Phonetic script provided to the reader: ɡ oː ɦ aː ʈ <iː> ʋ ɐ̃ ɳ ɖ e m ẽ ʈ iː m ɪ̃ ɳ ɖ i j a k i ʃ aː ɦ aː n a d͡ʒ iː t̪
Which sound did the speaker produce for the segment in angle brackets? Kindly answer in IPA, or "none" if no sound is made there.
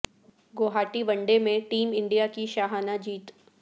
i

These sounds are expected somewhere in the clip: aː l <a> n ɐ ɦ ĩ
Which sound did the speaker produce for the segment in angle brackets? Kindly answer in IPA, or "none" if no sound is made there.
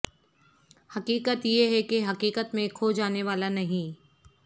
a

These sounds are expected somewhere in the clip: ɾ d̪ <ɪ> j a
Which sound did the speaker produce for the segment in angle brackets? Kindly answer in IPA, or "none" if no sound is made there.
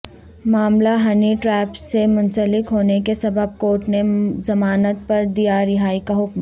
i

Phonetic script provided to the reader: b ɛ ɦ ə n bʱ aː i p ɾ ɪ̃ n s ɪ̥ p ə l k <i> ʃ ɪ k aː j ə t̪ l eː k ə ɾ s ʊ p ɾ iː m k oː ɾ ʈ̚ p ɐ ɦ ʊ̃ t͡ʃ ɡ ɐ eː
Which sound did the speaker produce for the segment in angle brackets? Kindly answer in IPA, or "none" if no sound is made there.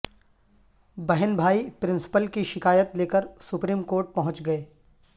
i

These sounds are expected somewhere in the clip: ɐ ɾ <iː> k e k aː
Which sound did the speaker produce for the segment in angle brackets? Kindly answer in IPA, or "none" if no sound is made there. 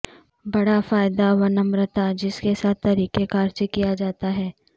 iː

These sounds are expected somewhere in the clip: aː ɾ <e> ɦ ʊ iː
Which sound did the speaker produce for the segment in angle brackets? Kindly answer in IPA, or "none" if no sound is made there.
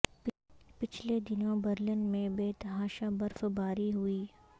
i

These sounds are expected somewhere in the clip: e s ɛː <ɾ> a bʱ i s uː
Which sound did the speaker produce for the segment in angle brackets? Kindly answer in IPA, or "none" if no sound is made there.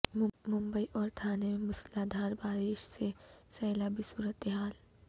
l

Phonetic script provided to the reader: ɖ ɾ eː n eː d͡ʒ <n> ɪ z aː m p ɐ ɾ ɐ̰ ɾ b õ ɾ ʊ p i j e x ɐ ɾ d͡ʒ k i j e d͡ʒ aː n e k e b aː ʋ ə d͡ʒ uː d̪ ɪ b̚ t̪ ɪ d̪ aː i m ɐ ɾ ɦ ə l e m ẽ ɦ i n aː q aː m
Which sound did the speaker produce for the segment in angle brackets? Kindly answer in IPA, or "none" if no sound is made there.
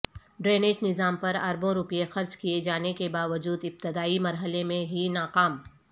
n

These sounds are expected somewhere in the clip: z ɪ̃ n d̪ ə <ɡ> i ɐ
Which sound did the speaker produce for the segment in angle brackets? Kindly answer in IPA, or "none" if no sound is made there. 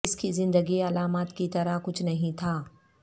ɡ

